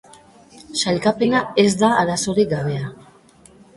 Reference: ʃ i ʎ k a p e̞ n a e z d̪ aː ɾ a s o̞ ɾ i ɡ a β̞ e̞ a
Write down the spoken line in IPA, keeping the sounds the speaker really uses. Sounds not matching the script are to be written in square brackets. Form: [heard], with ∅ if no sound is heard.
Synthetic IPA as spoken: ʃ [a] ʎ k a p e̞ n a e z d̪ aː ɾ a s o̞ ɾ i ɡ a β̞ e̞ a